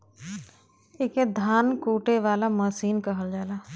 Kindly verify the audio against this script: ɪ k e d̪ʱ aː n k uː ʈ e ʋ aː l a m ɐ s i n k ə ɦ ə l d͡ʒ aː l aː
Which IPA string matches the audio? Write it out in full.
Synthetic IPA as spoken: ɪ k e d̪ʱ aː n k uː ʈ e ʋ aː l a m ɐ s iː n k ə ɦ ə l d͡ʒ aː l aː